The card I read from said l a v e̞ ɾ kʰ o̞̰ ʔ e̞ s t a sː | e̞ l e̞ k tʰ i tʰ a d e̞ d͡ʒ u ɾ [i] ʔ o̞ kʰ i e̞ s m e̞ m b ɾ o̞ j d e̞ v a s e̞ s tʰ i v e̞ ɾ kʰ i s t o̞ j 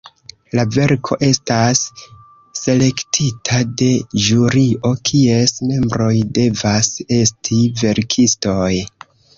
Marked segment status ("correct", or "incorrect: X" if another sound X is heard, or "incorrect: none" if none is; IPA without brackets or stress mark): correct